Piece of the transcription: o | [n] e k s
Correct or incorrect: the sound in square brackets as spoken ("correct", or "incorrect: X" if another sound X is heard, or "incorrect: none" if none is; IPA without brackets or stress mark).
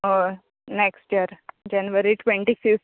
correct